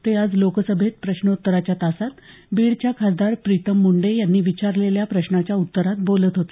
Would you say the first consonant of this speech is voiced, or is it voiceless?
voiceless